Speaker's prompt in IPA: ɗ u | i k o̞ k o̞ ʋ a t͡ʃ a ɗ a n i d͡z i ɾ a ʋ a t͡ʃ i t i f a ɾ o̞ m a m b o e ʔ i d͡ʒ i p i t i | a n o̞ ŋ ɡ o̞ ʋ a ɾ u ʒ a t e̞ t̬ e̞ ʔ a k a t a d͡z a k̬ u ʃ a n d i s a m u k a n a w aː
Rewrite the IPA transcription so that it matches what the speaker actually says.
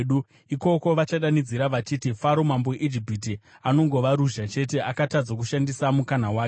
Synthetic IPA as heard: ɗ u | i k o̞ k o̞ ʋ a t͡ʃ a ɗ a n i d͡z i ɾ a ʋ a t͡ʃ i t i f a ɾ o̞ m a m b o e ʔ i d͡ʒ i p i t i | a n o̞ ŋ ɡ o̞ ʋ a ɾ u ʒ a t͡ʃ e̞ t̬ e̞ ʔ a k a t a d͡z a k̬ u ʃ a n d i s a m u k a n a w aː

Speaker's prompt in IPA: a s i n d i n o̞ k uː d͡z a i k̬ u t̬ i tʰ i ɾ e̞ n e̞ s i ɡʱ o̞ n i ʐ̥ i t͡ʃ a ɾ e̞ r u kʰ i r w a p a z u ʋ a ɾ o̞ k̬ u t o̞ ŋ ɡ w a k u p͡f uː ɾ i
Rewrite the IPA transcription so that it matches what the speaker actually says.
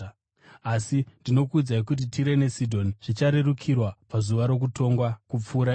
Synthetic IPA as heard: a s i n d i n o̞ k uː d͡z a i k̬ u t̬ i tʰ i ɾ e̞ n e̞ s i dʱ o̞ n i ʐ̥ i t͡ʃ a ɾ e̞ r u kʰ i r w a p a z u ʋ a ɾ o̞ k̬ u t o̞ ŋ ɡ w a k u p͡f uː ɾ a

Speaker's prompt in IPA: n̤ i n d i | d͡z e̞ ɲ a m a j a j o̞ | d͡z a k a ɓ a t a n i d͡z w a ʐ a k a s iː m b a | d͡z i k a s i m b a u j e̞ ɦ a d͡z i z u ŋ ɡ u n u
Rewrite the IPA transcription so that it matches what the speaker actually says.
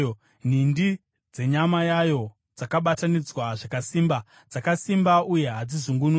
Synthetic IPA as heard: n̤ i n d i | d͡z e̞ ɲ a m a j a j o̞ | d͡z a k a ɓ a t a n i d͡z w a ʐ a k a s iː m b a | d͡z a k a s i m b a u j e̞ ɦ a d͡z i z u ŋ ɡ u n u

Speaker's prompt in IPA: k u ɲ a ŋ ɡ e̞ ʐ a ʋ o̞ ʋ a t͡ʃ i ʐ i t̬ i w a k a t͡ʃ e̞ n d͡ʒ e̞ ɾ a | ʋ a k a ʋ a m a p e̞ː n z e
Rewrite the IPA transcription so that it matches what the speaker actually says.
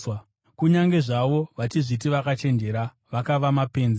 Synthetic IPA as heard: k u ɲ a ŋ ɡ e̞ ʐ a ʋ o̞ ʋ a t͡ʃ i ʐ i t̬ i ʋ a k a t͡ʃ e̞ n d͡ʒ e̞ ɾ a | ʋ a k a ʋ a m a p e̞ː n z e

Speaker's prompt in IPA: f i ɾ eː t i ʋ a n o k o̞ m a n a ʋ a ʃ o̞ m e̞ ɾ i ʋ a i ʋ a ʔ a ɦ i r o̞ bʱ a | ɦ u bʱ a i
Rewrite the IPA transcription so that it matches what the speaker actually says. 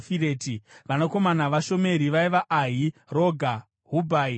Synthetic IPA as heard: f i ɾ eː t i ʋ a n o k o̞ m a n a ʋ a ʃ o̞ m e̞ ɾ i ʋ a i ʋ a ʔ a ɦ i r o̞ ɡʱ a | ɦ u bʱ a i

